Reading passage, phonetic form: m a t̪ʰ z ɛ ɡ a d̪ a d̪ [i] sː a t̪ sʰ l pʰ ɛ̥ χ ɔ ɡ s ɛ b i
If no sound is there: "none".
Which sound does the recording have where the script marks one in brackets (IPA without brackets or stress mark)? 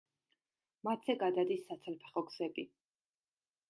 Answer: i